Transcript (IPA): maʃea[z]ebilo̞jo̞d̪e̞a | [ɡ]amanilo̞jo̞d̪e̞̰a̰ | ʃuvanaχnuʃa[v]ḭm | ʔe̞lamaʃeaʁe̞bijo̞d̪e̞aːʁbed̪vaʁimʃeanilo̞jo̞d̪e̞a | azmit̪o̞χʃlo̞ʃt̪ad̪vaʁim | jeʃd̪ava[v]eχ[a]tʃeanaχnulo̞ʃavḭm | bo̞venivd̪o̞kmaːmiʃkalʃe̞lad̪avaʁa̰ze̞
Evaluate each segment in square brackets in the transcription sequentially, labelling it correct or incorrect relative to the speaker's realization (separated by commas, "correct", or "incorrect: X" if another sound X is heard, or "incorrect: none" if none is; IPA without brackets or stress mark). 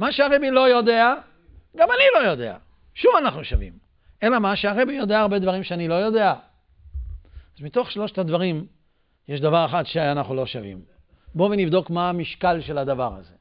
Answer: incorrect: ʁ, correct, correct, incorrect: ʁ, correct